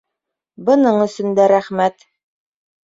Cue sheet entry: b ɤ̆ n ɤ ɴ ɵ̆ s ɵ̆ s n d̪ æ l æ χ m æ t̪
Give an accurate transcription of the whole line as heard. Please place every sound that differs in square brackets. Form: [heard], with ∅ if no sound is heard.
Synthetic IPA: b ɤ̆ n ɤ ɴ ɵ̆ s ɵ̆ [∅] n d̪ æ [ɾ] æ χ m æ t̪